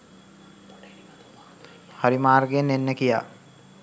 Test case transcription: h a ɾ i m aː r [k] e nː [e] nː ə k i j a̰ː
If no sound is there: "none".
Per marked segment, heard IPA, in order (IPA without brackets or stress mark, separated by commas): ɡ, e